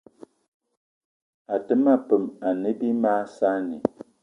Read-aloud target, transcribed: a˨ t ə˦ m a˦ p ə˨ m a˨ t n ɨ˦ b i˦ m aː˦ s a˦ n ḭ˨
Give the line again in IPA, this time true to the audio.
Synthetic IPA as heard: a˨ t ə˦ m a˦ p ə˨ m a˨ n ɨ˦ b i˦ m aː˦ s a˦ n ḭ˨